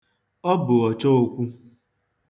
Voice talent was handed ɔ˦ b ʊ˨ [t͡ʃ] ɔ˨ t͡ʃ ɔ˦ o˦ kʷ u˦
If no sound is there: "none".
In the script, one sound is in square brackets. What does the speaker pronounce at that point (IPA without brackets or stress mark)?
none